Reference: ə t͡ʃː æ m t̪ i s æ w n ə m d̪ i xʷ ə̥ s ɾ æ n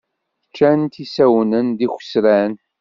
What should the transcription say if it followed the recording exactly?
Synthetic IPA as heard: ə t͡ʃː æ n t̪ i s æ w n ə n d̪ i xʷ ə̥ s ɾ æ n